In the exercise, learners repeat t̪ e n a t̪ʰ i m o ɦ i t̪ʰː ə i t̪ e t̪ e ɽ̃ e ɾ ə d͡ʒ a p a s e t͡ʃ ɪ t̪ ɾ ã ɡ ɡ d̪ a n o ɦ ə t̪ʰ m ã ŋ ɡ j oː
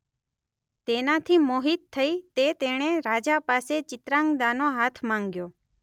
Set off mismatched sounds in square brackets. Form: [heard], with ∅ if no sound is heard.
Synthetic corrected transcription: t̪ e n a t̪ʰ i m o ɦ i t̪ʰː ə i t̪ e t̪ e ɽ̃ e ɾ [a] d͡ʒ a p a s e t͡ʃ ɪ t̪ ɾ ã [ŋ] ɡ d̪ a n o ɦ [a] t̪ʰ m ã ŋ ɡ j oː